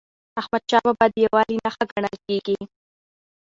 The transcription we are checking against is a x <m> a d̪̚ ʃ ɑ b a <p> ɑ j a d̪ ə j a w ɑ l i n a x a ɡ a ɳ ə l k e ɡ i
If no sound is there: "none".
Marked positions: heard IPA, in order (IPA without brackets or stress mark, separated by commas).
m, b